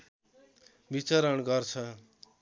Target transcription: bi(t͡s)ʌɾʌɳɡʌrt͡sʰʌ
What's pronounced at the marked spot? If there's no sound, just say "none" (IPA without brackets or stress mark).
t͡s